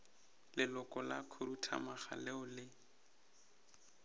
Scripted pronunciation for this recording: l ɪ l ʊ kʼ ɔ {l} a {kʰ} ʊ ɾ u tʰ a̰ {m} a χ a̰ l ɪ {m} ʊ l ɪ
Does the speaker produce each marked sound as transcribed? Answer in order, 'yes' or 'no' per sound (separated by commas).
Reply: yes, yes, yes, no